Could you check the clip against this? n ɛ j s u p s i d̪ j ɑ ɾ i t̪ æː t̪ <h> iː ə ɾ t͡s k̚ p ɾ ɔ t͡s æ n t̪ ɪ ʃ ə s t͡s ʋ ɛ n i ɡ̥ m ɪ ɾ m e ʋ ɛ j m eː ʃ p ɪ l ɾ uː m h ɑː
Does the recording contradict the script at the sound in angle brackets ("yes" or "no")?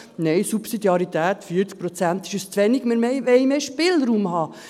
yes